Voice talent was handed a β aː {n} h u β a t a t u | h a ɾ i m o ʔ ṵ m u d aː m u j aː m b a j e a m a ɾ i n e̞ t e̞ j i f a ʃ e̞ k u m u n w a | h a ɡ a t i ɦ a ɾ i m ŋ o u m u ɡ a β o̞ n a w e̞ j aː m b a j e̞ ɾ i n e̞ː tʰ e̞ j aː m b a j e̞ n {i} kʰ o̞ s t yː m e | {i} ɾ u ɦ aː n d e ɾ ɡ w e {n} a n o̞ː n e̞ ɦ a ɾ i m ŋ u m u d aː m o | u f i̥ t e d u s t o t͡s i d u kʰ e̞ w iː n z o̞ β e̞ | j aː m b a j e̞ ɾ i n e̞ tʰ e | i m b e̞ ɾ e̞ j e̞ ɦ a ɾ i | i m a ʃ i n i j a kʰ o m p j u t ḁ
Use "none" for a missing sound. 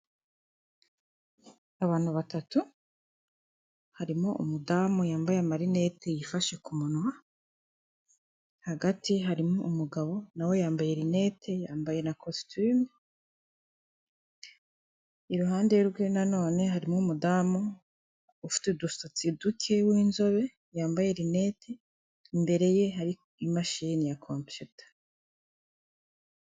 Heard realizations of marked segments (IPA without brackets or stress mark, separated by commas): n, a, i, n